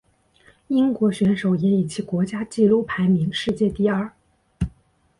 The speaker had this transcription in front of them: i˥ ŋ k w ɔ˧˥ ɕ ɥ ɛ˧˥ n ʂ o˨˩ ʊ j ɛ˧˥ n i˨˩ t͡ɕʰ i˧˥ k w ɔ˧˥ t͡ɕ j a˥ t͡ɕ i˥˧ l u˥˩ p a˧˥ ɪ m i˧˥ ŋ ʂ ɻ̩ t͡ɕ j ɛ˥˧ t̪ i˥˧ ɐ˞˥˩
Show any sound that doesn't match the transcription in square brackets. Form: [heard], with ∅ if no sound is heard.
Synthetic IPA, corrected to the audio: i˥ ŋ k w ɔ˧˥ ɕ ɥ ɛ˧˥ n ʂ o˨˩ ʊ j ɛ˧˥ n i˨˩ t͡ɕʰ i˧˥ k w ɔ˧˥ t͡ɕ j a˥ t͡ɕ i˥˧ l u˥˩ [pʰ] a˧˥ ɪ m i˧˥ ŋ ʂ ɻ̩ t͡ɕ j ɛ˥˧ t̪ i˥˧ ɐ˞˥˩